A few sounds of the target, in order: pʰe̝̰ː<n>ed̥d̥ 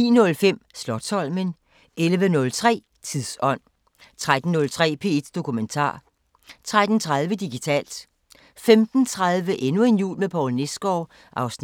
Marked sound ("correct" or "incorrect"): incorrect